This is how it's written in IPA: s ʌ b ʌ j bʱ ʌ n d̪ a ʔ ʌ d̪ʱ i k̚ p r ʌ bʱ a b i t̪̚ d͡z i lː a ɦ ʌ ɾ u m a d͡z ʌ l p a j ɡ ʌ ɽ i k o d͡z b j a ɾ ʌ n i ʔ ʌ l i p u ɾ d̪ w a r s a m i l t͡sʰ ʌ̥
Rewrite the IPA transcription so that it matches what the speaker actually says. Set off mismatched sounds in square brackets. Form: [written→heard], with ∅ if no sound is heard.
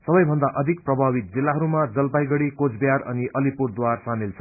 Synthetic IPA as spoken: s ʌ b ʌ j bʱ ʌ n d̪ a ʔ ʌ d̪ʱ i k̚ p r ʌ bʱ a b i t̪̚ d͡z i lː a ɦ ʌ ɾ u m a d͡z ʌ l p a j ɡ ʌ ɽ i k o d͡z b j a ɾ ʌ n i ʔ ʌ l i p u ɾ d̪ w a r s a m i l t͡sʰ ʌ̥